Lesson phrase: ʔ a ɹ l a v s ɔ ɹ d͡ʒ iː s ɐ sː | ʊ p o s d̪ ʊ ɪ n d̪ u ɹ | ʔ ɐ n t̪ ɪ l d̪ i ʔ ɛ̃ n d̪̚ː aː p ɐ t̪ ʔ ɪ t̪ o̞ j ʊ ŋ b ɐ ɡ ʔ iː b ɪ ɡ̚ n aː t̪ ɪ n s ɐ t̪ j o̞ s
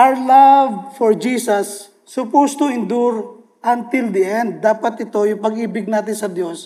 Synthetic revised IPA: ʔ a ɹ l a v f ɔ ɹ d͡ʒ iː s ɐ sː | ʊ p o s t̪ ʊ ɪ n d̪ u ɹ | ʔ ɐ n t̪ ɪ l d̪ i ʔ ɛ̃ n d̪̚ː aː p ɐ t̪ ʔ ɪ t̪ o̞ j ʊ ŋ p ɐ ɡ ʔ iː b ɪ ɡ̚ n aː t̪ ɪ n s ɐ d̪ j o̞ s